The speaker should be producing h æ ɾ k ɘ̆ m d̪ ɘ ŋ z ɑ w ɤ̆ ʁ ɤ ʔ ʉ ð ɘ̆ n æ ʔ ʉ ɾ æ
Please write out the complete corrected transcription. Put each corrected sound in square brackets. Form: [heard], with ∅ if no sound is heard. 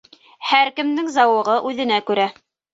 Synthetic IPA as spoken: h æ ɾ k ɘ̆ m d̪ ɘ ŋ z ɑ w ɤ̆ ʁ ɤ ʔ ʉ ð ɘ̆ n æ [k] ʉ ɾ æ